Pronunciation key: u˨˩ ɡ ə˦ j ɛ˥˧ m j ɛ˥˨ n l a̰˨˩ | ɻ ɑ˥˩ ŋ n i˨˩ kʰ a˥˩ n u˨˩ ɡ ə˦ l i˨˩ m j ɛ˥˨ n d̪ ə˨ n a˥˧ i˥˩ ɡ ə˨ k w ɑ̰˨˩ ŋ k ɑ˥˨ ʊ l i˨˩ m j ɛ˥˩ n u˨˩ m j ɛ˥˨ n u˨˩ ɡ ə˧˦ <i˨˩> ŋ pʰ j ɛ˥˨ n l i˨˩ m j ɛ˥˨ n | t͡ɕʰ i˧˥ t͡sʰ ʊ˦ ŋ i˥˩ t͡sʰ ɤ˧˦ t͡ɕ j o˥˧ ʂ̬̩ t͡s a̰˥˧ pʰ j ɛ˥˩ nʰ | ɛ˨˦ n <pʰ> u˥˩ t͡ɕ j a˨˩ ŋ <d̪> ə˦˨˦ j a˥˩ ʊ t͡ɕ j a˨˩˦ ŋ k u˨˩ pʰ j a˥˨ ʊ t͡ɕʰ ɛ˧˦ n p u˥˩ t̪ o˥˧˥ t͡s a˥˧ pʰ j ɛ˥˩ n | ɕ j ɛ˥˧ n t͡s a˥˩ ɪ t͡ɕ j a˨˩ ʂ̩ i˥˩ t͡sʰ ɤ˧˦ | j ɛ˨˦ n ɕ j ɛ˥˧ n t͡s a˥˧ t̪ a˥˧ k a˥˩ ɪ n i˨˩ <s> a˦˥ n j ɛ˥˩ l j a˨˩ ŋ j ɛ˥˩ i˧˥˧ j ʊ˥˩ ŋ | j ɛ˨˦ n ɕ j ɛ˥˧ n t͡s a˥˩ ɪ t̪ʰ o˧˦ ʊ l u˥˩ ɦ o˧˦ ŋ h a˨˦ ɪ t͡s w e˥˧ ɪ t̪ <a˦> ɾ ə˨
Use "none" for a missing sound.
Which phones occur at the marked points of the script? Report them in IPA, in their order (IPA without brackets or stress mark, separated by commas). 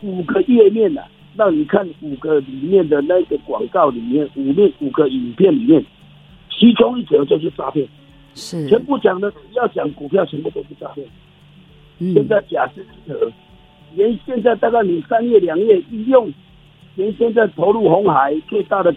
i˨˩, p, d̪, s, a˥˨